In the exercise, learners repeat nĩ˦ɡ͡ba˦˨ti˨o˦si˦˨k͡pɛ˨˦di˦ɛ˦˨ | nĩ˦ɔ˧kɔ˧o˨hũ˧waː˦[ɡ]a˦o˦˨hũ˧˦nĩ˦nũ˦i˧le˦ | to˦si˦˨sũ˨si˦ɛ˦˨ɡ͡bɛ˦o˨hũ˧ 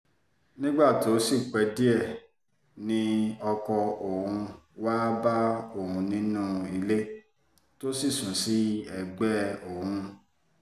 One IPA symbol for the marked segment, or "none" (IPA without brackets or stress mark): b